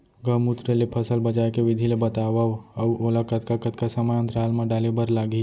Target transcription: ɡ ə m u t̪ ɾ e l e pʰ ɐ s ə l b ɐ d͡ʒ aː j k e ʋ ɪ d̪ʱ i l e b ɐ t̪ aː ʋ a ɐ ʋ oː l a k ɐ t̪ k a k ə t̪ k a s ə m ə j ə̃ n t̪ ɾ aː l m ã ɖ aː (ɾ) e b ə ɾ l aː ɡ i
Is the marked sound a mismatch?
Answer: yes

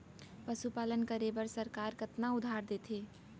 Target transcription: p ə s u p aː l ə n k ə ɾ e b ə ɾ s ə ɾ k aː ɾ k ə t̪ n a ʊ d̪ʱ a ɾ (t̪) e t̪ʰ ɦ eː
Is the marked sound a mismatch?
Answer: yes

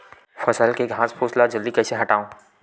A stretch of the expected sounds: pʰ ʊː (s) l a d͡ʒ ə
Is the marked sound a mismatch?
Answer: no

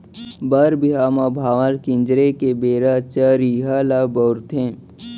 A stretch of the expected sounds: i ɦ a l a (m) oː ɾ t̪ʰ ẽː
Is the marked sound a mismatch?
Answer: yes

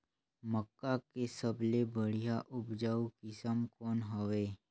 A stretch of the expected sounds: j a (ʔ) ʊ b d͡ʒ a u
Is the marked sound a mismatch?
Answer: no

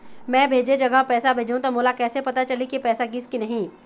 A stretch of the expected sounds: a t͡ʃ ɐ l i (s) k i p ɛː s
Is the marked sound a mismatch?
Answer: yes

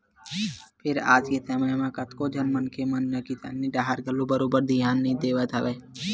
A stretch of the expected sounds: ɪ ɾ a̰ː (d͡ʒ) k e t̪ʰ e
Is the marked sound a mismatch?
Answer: no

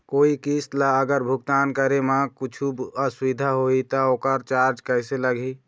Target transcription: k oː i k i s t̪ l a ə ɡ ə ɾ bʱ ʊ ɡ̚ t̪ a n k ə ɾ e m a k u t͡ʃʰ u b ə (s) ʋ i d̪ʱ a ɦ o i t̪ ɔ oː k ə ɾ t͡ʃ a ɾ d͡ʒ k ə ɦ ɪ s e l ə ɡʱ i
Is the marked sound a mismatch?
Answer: no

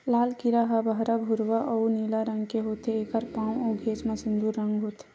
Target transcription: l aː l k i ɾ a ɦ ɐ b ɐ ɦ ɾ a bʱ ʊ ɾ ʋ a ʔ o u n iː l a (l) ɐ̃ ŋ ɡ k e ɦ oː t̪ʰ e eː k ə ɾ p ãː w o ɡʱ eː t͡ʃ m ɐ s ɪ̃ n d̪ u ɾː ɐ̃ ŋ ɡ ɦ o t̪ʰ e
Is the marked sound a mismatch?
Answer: yes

